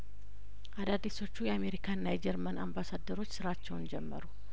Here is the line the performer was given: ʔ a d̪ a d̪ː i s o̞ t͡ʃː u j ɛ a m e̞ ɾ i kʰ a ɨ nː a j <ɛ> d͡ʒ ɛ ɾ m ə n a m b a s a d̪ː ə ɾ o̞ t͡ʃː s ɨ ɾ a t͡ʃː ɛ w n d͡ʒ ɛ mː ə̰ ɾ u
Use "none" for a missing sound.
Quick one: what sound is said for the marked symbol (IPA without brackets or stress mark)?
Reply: ɛ